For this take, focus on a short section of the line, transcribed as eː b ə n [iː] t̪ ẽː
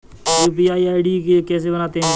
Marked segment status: incorrect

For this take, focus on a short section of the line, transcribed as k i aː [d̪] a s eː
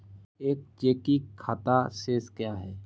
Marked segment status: incorrect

